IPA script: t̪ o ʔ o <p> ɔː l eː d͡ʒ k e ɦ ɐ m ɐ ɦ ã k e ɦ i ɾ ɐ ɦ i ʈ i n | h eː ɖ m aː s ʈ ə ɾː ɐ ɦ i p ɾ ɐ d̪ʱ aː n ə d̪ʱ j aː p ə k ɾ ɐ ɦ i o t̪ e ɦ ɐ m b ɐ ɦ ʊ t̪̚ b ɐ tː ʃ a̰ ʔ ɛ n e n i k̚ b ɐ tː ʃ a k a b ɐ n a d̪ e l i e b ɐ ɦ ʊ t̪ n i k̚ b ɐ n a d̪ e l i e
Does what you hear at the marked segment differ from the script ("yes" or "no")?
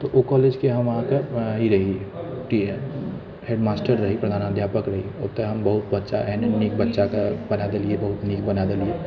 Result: yes